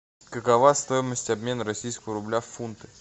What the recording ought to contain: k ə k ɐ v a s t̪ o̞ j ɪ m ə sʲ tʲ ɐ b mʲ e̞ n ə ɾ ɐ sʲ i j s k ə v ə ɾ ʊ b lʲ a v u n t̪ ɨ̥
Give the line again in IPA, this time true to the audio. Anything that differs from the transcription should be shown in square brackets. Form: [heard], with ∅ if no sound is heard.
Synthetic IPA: k ə k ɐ v a s t̪ o̞ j ɪ m ə sʲ tʲ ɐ b mʲ e̞ n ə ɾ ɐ sʲ i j s k ə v ə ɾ ʊ b lʲ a [f] u n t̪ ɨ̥